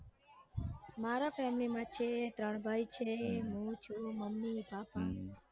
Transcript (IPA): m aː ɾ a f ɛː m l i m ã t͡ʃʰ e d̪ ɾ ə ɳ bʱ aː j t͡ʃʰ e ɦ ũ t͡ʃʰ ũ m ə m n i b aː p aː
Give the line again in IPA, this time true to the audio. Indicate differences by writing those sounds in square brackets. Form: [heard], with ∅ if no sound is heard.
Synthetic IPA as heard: m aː ɾ a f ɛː m l i m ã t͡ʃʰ e [t̪] ɾ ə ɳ bʱ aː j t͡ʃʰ e ɦ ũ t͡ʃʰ [u] m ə m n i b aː p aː